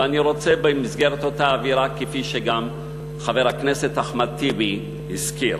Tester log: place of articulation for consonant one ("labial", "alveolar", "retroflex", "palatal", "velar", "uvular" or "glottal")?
alveolar